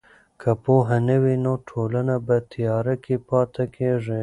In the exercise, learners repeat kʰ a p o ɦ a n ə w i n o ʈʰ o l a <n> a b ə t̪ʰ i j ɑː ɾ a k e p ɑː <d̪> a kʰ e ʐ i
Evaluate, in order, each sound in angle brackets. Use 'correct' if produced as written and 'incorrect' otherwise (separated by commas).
correct, incorrect